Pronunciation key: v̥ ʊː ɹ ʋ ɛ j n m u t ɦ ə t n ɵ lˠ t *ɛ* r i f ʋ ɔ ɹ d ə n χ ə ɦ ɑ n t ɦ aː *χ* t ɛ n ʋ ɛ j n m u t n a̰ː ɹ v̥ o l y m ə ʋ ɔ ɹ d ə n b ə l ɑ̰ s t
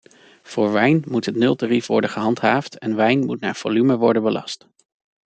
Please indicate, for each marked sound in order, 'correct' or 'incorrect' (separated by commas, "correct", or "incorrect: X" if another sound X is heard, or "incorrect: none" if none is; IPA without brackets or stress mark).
incorrect: a, incorrect: f